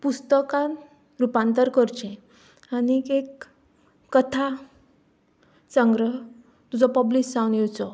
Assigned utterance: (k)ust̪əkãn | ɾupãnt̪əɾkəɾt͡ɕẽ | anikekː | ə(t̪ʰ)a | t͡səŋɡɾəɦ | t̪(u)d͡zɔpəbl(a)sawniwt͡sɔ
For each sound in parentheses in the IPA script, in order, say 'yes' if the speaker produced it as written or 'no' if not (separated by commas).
no, yes, yes, no